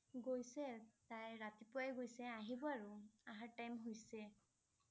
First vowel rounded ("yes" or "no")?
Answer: yes